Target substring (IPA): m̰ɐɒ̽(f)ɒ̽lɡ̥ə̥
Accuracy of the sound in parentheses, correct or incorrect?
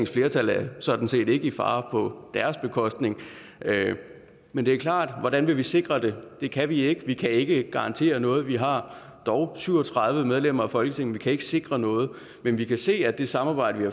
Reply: correct